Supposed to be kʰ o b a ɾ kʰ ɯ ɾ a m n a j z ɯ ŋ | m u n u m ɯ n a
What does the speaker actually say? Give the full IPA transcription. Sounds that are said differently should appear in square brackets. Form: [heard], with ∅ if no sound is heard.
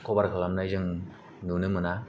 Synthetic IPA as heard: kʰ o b a ɾ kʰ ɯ [l] a m n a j z ɯ ŋ | [n] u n [ɯ] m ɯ n a